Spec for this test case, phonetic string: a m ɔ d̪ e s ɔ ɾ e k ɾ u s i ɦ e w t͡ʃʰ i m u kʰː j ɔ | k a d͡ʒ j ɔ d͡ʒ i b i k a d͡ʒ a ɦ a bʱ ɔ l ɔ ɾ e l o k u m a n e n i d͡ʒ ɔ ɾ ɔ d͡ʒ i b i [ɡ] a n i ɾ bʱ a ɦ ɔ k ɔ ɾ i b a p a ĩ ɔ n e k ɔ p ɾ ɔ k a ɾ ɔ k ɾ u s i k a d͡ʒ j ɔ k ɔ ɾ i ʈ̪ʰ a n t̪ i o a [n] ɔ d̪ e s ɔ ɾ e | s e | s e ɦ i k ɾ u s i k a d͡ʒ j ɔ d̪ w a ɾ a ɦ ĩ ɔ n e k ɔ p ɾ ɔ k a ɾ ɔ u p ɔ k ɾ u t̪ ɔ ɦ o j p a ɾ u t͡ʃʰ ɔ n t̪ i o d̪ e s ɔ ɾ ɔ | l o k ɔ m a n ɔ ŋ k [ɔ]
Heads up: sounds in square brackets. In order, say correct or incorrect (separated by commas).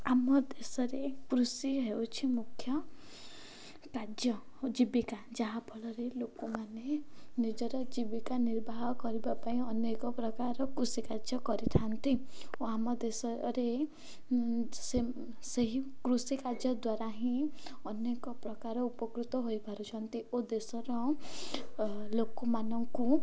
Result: incorrect, incorrect, incorrect